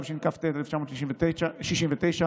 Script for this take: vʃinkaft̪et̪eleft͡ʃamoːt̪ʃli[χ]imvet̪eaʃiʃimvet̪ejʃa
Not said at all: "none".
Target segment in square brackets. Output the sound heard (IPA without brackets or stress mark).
ʃ